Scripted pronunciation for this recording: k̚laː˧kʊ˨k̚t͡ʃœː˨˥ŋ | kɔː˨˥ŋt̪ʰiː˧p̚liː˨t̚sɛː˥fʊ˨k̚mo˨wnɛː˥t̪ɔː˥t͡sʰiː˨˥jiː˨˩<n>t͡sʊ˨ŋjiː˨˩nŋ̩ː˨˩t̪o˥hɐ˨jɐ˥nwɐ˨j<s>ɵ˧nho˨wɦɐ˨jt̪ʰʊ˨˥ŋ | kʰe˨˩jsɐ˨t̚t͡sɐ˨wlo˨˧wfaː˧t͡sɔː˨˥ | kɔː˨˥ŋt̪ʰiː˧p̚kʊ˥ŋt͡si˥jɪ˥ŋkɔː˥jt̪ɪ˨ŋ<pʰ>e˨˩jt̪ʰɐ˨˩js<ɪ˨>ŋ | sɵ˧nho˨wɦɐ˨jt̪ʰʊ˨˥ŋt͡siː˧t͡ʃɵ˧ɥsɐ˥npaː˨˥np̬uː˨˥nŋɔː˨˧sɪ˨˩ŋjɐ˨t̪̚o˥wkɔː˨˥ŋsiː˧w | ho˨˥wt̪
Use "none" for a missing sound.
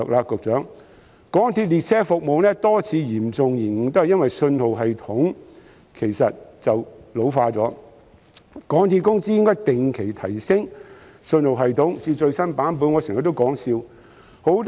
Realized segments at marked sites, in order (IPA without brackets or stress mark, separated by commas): m, s, kʰ, ɪ˥